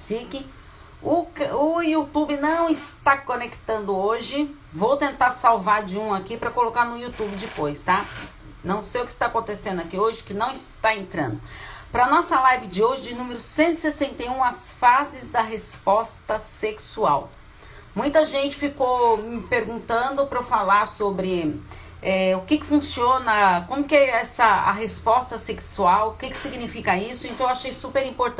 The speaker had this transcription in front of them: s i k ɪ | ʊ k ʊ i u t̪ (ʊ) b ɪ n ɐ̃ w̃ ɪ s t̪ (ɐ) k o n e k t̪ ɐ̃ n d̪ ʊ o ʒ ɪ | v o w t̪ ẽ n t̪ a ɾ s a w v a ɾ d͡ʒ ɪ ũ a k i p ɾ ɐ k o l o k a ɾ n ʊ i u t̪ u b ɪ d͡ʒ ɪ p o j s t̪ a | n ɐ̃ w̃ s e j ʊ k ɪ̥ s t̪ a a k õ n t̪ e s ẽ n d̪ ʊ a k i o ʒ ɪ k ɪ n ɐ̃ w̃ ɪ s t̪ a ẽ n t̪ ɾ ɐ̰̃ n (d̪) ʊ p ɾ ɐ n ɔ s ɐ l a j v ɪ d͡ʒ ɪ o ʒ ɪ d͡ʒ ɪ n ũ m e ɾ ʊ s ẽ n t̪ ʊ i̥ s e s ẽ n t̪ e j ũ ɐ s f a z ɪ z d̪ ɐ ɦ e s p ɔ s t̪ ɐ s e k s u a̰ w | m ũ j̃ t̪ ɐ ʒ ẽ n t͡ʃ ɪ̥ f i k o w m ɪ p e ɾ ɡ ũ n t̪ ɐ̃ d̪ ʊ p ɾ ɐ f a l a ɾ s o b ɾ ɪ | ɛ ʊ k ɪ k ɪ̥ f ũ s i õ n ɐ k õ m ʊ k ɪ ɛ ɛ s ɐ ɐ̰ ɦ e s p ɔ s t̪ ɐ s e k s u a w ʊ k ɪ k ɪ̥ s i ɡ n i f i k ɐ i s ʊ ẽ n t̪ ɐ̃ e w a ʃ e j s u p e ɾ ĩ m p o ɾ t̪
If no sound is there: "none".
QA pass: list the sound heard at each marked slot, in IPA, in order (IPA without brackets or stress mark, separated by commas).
u, a, d̪